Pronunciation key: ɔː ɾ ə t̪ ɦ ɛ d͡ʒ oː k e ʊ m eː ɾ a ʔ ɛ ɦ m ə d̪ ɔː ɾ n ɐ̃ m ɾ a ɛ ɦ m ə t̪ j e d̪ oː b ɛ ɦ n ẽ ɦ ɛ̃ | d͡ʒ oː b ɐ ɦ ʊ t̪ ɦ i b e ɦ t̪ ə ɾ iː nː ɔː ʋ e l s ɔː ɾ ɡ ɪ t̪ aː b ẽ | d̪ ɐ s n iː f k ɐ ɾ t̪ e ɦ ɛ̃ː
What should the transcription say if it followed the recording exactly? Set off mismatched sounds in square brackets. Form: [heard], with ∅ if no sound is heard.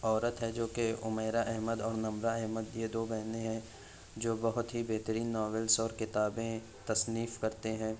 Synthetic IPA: ɔː ɾ ə t̪ ɦ ɛ d͡ʒ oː k e ʊ m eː ɾ a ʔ ɛ ɦ m ə d̪ ɔː ɾ n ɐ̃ m ɾ a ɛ ɦ m ə [d̪] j e d̪ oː b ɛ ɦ n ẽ ɦ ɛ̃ | d͡ʒ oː b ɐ ɦ ʊ t̪ ɦ i b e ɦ t̪ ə ɾ iː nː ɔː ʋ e l s ɔː ɾ [k] ɪ t̪ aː b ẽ | [t̪] ɐ s n iː f k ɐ ɾ t̪ e ɦ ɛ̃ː